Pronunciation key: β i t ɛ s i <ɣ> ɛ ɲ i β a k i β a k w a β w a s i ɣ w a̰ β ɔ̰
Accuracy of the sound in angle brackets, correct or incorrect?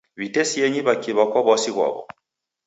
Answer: incorrect